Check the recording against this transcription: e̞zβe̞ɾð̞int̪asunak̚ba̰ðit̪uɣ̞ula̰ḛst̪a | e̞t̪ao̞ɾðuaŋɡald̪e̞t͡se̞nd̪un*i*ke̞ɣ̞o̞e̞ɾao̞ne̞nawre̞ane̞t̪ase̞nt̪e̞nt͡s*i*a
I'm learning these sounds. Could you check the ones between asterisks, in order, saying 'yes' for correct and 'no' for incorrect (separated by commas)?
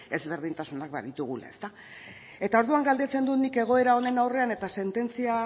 yes, yes